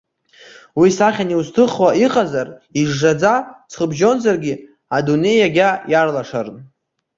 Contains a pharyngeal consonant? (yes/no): no